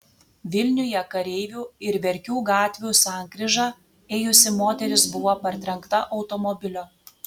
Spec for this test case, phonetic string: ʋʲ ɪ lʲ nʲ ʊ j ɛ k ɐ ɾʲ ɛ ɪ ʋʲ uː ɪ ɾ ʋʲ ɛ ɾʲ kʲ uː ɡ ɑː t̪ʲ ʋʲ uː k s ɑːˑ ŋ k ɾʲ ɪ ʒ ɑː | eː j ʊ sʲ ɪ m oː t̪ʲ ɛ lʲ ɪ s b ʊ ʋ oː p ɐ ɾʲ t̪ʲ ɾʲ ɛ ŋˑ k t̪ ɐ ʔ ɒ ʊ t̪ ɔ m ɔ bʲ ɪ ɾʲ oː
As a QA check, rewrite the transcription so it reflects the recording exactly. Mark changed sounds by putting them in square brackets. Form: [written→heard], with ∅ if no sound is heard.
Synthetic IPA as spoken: ʋʲ ɪ lʲ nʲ ʊ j ɛ k ɐ ɾʲ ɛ ɪ ʋʲ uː ɪ ɾ ʋʲ ɛ ɾʲ kʲ uː ɡ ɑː t̪ʲ ʋʲ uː [k→∅] s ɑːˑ ŋ k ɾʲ ɪ ʒ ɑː | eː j ʊ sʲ ɪ m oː t̪ʲ ɛ [lʲ→ɾʲ] ɪ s b ʊ ʋ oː p ɐ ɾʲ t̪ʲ ɾʲ ɛ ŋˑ k t̪ ɐ ʔ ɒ ʊ t̪ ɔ m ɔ bʲ ɪ [ɾʲ→lʲ] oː